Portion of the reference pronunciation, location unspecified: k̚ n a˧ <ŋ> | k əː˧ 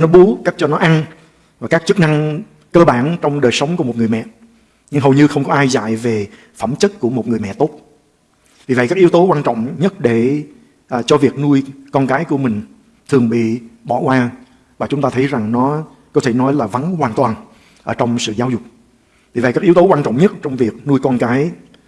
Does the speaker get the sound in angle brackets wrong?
no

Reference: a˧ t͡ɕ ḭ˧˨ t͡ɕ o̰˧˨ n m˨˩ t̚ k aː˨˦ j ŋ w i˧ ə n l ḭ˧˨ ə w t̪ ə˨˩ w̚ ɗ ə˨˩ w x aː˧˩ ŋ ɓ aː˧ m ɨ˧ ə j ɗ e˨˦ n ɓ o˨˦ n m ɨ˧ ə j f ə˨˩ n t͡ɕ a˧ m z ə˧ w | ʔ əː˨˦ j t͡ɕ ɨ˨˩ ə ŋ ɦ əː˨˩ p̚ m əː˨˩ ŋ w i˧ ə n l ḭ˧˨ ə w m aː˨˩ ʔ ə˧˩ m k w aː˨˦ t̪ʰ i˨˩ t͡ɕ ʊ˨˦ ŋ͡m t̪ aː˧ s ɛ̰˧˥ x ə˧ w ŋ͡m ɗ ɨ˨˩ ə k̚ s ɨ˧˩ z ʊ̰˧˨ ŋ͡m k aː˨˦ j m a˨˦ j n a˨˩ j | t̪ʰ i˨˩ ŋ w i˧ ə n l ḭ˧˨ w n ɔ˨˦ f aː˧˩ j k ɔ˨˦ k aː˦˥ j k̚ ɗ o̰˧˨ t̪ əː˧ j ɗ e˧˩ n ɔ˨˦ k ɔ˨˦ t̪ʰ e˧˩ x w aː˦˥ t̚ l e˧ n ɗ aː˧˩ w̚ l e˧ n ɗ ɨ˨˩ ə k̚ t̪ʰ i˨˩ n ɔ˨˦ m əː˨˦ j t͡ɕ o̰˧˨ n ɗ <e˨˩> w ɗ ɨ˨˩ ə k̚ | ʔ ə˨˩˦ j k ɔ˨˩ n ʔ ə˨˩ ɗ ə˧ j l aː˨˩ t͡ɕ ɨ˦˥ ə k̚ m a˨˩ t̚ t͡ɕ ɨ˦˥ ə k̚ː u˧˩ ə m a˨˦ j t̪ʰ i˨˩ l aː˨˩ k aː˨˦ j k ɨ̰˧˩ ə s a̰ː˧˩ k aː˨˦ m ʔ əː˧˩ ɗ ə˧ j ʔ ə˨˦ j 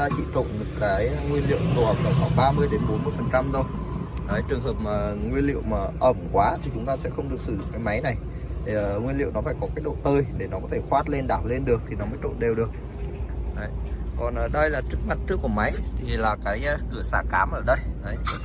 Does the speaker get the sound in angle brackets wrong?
no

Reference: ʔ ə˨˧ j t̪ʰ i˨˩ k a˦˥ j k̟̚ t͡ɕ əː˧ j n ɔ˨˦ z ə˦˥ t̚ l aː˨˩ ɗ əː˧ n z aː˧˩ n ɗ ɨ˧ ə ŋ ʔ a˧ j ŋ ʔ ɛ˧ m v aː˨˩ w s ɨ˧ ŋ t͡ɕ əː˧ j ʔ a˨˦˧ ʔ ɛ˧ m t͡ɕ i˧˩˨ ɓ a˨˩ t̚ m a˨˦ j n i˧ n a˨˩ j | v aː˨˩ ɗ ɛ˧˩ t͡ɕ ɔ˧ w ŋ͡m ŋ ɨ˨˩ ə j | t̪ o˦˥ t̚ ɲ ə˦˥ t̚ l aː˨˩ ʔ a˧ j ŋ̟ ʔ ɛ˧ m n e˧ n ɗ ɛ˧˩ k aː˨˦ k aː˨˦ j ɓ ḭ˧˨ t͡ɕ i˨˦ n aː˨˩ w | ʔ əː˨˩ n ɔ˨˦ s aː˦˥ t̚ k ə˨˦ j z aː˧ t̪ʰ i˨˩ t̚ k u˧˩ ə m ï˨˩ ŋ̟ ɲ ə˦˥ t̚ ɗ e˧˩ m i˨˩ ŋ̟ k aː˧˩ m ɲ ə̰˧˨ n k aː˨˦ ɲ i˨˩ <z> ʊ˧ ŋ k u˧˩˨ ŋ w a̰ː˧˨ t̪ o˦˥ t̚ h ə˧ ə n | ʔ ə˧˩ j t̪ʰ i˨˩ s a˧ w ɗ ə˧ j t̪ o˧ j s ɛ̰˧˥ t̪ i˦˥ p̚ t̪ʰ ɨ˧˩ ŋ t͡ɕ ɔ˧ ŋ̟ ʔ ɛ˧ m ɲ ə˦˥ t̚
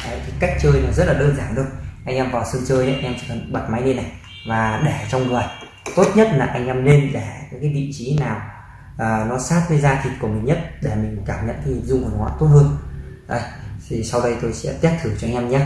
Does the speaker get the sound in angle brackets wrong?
no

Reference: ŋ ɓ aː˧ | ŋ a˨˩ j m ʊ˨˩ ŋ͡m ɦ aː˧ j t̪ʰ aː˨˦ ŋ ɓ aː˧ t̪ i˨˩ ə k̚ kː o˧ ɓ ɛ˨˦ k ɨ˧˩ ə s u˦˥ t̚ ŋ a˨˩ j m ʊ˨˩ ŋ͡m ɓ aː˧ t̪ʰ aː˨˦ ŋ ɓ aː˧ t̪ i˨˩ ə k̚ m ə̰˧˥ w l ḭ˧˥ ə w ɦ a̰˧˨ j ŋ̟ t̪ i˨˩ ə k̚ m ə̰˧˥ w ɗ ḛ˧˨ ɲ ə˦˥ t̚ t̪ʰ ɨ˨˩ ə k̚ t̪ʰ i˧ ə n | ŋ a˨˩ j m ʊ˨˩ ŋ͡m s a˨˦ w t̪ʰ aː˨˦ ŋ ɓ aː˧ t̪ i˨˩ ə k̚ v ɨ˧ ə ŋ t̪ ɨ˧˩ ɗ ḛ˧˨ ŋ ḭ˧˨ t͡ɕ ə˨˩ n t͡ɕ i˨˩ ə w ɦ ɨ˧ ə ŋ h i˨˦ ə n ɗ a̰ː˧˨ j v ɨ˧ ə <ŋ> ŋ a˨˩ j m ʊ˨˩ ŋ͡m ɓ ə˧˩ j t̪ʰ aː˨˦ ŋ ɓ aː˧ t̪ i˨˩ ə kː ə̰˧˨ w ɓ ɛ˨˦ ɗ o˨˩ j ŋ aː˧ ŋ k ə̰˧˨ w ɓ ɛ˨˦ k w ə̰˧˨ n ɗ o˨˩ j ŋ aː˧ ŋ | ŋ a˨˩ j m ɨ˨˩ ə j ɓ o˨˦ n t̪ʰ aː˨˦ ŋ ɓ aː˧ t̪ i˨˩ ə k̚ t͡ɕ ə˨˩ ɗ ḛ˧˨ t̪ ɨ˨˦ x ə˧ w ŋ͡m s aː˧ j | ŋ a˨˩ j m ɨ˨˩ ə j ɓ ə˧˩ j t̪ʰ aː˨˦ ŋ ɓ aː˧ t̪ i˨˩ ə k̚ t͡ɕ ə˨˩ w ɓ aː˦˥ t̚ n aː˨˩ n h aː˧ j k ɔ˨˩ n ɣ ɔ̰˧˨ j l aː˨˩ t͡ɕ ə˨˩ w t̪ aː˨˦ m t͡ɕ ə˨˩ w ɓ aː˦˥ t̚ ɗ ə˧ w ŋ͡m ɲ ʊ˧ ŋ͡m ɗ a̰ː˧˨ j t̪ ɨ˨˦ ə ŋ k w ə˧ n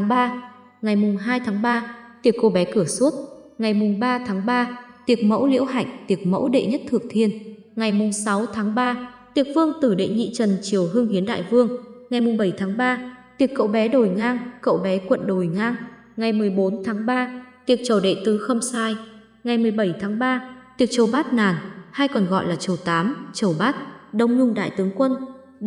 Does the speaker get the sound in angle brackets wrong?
no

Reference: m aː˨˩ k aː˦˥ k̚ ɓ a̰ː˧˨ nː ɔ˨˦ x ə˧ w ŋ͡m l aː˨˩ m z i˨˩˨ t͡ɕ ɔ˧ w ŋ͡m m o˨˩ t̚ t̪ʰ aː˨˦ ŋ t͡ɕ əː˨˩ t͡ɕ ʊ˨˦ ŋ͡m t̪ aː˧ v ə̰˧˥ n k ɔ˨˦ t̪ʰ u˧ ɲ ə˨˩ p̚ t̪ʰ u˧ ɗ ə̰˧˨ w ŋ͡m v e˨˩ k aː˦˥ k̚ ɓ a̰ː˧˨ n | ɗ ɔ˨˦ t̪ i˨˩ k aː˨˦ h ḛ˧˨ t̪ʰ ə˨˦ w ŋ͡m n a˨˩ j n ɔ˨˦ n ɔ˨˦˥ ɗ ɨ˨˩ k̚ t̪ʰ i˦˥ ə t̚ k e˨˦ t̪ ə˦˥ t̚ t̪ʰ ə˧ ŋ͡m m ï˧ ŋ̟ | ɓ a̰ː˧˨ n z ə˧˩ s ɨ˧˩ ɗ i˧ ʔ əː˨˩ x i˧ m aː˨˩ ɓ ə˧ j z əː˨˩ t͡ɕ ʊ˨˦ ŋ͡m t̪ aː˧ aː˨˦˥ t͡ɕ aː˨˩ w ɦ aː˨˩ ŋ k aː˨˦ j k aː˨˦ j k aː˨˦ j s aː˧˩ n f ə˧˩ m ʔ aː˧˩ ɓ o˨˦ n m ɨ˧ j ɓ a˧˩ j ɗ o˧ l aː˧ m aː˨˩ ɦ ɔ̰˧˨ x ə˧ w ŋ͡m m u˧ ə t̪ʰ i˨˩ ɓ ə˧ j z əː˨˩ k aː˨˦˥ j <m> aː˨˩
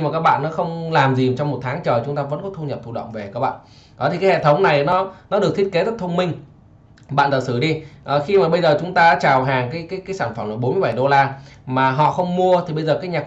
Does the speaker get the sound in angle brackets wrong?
yes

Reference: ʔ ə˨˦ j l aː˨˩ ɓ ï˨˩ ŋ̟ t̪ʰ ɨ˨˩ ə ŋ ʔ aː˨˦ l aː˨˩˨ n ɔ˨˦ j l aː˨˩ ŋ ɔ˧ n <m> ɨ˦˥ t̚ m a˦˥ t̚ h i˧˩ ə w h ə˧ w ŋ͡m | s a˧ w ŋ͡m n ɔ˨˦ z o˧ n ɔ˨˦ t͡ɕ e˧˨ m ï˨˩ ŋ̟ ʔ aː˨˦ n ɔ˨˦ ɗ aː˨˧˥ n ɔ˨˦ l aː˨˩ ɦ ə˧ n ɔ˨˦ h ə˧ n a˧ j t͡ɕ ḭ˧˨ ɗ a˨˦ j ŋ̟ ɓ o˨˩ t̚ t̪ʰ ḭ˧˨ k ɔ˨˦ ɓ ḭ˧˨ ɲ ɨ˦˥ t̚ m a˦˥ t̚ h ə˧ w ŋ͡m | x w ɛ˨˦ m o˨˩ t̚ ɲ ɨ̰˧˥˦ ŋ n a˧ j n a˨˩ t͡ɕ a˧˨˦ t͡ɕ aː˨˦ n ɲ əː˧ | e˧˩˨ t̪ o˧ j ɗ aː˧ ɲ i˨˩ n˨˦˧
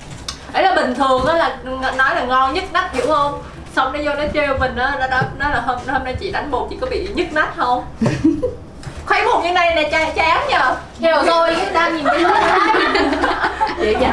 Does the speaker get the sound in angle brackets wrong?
yes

